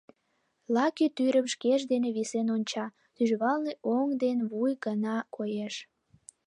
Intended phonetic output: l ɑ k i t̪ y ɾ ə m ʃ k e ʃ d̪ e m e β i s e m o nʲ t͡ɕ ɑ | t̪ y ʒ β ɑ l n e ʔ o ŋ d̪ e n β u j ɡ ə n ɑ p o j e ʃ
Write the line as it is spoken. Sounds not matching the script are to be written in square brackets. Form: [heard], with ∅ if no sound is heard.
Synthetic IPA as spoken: l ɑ k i t̪ y ɾ ə m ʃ k e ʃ d̪ e [n] e β i s e [n] o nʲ t͡ɕ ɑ | t̪ y ʒ β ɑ l n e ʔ o ŋ d̪ e n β u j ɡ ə n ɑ [k] o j e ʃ